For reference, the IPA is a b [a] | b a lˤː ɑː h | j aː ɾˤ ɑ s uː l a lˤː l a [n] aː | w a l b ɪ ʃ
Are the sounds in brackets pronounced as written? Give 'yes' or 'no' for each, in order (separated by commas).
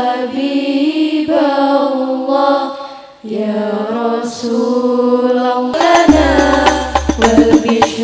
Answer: no, yes